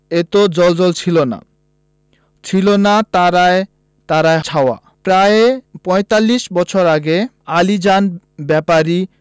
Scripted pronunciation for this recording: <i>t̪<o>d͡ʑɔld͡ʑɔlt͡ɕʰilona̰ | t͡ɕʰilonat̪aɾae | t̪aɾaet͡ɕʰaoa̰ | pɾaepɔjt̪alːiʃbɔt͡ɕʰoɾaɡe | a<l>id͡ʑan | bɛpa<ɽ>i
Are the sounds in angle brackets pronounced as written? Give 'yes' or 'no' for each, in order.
no, yes, yes, no

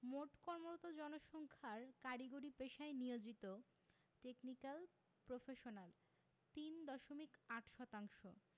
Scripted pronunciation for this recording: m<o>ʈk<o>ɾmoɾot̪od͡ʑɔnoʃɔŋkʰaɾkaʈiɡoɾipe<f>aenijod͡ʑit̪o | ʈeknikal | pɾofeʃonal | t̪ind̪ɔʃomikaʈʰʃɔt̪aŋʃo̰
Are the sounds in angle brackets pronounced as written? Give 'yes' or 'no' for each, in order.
yes, no, no

